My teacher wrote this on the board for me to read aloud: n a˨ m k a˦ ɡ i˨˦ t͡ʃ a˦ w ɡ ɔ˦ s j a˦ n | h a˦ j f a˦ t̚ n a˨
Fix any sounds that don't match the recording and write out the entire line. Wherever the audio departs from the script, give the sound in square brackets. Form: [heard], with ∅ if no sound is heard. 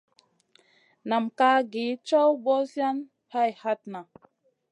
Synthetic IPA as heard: n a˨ m k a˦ ɡ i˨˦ t͡ʃ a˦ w [b] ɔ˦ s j a˦ n | h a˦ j [h] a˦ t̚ n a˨